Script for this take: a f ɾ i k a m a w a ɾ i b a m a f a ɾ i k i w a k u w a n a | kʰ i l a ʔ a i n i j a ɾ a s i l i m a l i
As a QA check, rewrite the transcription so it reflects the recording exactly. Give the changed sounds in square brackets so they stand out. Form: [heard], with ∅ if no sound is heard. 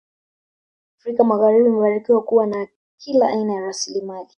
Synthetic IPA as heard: a f ɾ i k a m a [ɣ] a ɾ i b [i] m [ɛ] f a ɾ i k i w a k u w a n a | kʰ i l a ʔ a i n [a] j a ɾ a s i l i m a l i